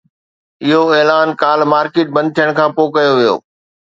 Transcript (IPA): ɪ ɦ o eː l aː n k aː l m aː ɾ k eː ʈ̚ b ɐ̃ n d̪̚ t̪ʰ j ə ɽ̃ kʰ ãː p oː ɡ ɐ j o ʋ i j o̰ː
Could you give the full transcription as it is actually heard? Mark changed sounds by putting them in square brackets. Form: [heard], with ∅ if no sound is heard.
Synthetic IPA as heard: ɪ ɦ o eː l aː n k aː l m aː ɾ k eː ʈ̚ b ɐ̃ n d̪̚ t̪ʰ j ə ɽ̃ kʰ ãː p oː [k] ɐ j o ʋ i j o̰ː

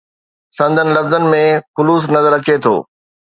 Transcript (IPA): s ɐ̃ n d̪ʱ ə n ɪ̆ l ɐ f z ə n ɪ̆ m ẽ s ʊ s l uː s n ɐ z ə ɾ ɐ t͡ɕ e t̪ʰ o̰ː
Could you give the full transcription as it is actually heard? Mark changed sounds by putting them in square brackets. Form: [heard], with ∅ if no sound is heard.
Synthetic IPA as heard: s ɐ̃ n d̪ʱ ə n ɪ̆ l ɐ f z ə n ɪ̆ m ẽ [x] ʊ [∅] l uː s n ɐ z ə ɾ ɐ t͡ɕ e t̪ʰ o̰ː

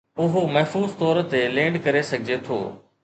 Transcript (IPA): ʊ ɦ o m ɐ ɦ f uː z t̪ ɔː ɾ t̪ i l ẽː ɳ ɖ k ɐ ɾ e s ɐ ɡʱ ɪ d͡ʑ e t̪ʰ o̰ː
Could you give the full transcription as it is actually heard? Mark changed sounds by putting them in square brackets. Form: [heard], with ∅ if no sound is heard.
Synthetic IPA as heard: ʊ ɦ o m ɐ ɦ f uː z t̪ ɔː ɾ t̪ [e] l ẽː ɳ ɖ k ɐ ɾ e s ɐ ɡʱ ɪ d͡ʑ e t̪ʰ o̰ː

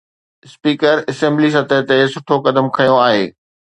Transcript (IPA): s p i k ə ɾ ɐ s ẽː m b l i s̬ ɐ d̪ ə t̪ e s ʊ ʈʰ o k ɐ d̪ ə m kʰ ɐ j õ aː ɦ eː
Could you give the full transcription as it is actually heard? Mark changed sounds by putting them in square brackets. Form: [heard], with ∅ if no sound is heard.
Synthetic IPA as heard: s p [iː] k ə ɾ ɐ s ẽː m b l i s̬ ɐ [t̪] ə t̪ e s ʊ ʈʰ o k ɐ d̪ ə m kʰ ɐ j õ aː ɦ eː

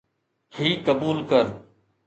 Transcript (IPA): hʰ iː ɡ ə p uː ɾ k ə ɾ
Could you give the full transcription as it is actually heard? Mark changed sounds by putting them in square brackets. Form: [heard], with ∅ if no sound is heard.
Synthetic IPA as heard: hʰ iː [k] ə [b] uː [l] k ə ɾ

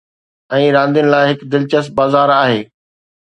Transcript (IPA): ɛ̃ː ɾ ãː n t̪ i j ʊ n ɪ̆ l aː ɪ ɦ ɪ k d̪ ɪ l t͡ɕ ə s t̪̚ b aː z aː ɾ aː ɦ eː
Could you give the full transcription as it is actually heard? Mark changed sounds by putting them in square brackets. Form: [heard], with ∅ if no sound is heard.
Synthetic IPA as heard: ɛ̃ː ɾ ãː n [d̪] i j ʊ n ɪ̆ l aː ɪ ɦ ɪ k d̪ ɪ l t͡ɕ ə s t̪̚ b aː z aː ɾ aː ɦ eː

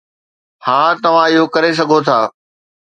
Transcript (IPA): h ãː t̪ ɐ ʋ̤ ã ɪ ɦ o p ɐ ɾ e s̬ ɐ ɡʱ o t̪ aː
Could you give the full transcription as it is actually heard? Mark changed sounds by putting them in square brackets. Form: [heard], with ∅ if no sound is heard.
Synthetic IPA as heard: h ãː t̪ ɐ ʋ̤ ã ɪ ɦ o [k] ɐ ɾ e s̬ ɐ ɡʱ o [t̪ʰ] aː

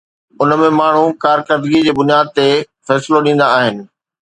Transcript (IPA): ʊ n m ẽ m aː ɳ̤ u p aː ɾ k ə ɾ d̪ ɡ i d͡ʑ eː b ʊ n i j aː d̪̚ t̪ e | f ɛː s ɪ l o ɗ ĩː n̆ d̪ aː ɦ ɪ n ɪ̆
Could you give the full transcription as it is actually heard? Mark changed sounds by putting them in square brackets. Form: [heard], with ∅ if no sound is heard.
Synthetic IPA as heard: ʊ n m ẽ m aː ɳ̤ u [k] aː ɾ k ə ɾ d̪ ɡ i d͡ʑ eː b ʊ n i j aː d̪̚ t̪ e | f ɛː s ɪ l o ɗ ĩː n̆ d̪ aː ɦ ɪ n ɪ̆

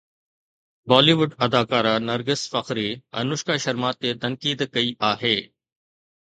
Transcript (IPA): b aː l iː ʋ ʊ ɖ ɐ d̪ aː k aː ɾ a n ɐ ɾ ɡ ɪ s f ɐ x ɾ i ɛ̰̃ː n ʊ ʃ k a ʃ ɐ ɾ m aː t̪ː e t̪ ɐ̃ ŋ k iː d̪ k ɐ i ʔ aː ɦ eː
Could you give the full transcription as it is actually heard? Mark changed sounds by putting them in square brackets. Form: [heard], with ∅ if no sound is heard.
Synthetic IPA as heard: b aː l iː ʋ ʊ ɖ ɐ d̪ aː k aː ɾ a n ɐ ɾ ɡ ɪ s f ɐ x ɾ i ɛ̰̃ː n ʊ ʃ k a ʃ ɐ ɾ m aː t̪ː e t̪ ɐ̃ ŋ k iː d̪ k ɐ i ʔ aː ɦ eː

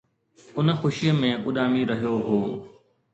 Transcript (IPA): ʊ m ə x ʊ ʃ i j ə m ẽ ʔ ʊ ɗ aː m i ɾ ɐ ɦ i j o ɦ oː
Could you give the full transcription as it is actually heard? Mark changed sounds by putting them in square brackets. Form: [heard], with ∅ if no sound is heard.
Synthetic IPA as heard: ʊ [n] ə x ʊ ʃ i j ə m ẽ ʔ ʊ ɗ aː m i ɾ ɐ ɦ i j o ɦ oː

